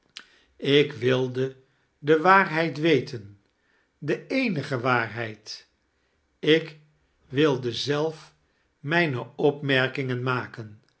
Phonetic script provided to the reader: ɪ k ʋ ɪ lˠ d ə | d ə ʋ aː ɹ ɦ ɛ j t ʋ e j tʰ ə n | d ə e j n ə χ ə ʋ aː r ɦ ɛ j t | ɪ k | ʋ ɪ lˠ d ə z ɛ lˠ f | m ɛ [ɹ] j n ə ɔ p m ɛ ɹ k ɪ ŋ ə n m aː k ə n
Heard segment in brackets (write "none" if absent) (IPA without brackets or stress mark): none